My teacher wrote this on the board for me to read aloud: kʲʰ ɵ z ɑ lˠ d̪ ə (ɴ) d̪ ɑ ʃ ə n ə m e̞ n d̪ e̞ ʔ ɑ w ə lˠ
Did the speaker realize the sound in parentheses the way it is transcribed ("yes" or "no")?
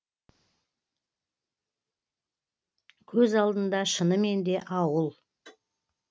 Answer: no